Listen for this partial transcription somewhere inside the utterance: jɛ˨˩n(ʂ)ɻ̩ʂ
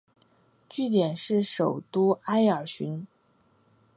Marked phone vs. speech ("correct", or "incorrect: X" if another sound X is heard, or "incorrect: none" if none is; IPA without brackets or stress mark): correct